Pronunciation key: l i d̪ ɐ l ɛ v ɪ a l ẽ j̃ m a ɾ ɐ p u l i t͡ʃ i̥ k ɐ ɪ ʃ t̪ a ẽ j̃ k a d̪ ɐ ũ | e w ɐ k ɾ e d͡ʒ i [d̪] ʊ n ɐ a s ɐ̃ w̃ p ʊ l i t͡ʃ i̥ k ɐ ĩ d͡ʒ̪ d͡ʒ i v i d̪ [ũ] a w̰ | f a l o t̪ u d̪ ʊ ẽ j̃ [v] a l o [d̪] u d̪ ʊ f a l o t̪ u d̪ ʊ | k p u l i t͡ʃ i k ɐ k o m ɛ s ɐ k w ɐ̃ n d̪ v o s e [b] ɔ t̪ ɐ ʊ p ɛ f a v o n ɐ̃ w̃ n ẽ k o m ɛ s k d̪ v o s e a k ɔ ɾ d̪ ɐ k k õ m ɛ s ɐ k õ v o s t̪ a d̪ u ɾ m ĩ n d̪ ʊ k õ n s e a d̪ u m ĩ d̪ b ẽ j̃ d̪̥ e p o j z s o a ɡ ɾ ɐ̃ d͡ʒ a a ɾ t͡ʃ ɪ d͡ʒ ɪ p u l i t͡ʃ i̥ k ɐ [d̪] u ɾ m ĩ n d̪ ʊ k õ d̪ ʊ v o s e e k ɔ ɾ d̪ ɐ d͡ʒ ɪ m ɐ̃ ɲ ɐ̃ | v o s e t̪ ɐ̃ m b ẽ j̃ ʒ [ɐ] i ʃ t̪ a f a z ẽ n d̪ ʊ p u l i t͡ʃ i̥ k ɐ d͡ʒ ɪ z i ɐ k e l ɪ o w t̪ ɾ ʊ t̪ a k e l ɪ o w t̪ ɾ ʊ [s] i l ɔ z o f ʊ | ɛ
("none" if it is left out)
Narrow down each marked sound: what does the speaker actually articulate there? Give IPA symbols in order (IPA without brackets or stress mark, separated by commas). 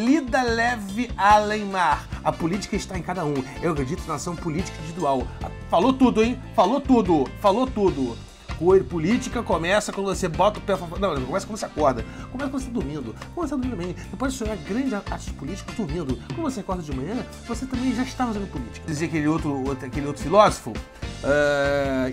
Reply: t̪, u, f, t̪, b, d̪, a, f